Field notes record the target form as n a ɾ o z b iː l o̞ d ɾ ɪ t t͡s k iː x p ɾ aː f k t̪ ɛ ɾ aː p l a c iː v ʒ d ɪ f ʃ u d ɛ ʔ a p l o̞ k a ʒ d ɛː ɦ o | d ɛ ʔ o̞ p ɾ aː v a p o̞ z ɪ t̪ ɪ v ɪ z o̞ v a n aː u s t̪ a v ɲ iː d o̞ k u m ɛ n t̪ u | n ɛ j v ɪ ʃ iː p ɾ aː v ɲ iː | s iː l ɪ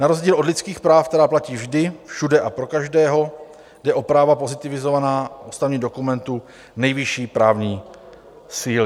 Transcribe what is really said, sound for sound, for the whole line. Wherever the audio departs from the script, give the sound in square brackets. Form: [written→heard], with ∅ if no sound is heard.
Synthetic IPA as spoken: n a ɾ o z [b→ɟ] iː l o̞ d [ɾ→l] ɪ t t͡s k iː x p ɾ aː f k t̪ ɛ ɾ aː p l a c iː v ʒ d ɪ f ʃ u d ɛ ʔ a p [l→ɾ] o̞ k a ʒ d ɛː ɦ o | d ɛ ʔ o̞ p ɾ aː v a p o̞ z ɪ t̪ ɪ v ɪ z o̞ v a n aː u s t̪ a v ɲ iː d o̞ k u m ɛ n t̪ u | n ɛ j v ɪ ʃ iː p ɾ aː v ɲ iː | s iː l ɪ

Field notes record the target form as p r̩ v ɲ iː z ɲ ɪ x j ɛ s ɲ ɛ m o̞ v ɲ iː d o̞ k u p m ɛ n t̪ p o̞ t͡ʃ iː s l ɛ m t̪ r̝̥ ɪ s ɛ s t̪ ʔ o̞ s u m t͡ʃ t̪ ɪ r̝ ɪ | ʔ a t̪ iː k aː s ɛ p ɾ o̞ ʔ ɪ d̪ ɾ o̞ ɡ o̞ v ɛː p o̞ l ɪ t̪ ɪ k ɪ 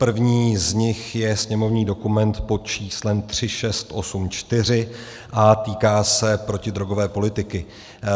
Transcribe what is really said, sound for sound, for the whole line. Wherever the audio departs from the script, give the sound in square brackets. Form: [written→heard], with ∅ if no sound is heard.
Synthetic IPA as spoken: p r̩ v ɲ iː z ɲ ɪ x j ɛ s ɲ ɛ m o̞ v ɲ iː d o̞ k u [p→∅] m ɛ n t̪ p o̞ t͡ʃ iː s l ɛ m t̪ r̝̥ ɪ [s→ʃ] ɛ s t̪ ʔ o̞ s u m t͡ʃ t̪ ɪ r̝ ɪ | ʔ a t̪ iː k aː s ɛ p ɾ o̞ [ʔ→c] ɪ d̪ ɾ o̞ ɡ o̞ v ɛː p o̞ l ɪ t̪ ɪ k ɪ

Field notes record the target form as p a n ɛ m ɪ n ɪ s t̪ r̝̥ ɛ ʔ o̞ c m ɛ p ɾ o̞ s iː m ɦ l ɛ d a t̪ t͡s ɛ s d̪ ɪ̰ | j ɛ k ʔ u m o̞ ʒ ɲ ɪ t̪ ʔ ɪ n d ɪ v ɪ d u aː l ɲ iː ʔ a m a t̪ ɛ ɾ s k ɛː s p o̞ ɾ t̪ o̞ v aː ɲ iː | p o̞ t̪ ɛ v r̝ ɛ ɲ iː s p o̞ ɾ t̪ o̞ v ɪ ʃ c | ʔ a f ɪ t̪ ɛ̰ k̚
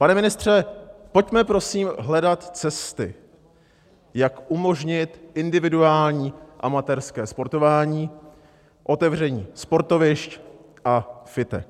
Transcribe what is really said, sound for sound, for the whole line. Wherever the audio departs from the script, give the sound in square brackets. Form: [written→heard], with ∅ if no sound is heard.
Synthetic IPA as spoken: p a n ɛ m ɪ n ɪ s t̪ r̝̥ ɛ [ʔ→p] o̞ c m ɛ p ɾ o̞ s iː m ɦ l ɛ d a t̪ t͡s ɛ s [d̪→t̪] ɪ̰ | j [ɛ→a] k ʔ u m o̞ ʒ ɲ ɪ t̪ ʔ ɪ n d ɪ v ɪ d u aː l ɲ iː ʔ a m a t̪ ɛ ɾ s k ɛː s p o̞ ɾ t̪ o̞ v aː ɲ iː | [p→ʔ] o̞ t̪ ɛ v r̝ ɛ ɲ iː s p o̞ ɾ t̪ o̞ v ɪ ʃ c | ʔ a f ɪ t̪ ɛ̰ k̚

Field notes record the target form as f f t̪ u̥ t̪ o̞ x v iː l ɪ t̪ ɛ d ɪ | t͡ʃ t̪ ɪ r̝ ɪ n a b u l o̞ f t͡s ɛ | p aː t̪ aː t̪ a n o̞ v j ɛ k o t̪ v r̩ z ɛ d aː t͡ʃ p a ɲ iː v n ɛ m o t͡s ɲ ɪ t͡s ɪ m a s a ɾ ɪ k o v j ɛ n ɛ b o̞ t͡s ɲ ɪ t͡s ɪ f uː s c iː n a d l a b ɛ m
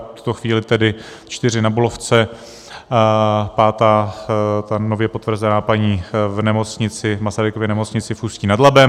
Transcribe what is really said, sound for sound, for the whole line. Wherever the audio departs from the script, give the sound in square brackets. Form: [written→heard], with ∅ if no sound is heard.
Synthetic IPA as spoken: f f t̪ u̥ t̪ o̞ x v iː l ɪ t̪ ɛ d ɪ | t͡ʃ t̪ ɪ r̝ ɪ n a b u l o̞ f t͡s ɛ | p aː t̪ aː t̪ a n o̞ v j ɛ [k→p] o t̪ v r̩ z ɛ [d→n] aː [t͡ʃ→∅] p a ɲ iː v n ɛ m o t͡s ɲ ɪ t͡s ɪ m a s a ɾ ɪ k o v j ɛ n ɛ [b→m] o̞ t͡s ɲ ɪ t͡s ɪ f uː s c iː n a d l a b ɛ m

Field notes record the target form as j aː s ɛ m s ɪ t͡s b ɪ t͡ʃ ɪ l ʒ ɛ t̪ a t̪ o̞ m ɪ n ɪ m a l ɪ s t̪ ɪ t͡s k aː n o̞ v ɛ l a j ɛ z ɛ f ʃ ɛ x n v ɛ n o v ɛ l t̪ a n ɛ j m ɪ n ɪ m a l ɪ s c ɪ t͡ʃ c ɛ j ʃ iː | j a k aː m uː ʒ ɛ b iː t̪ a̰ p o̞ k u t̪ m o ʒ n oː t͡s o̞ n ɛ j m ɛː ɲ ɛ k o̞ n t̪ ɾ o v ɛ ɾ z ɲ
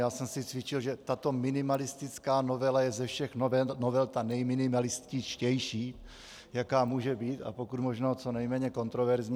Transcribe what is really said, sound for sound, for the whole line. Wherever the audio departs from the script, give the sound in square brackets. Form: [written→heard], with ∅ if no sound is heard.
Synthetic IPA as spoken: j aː s ɛ m s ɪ t͡s [b→v] ɪ t͡ʃ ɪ l ʒ ɛ t̪ a t̪ o̞ m ɪ n ɪ m a l ɪ s t̪ ɪ t͡s k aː n o̞ v ɛ l a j ɛ z ɛ f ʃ ɛ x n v ɛ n o v ɛ l t̪ a n ɛ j m ɪ n ɪ m a l ɪ s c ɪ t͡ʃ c ɛ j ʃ iː | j a k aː m uː ʒ ɛ b iː t̪ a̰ p o̞ k u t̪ m o ʒ n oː t͡s o̞ n ɛ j m ɛː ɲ ɛ k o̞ n t̪ ɾ o v ɛ ɾ z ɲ

